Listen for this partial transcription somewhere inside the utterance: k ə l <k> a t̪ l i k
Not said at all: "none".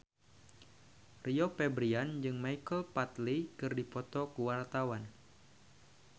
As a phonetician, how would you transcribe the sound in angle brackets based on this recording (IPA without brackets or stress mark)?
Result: p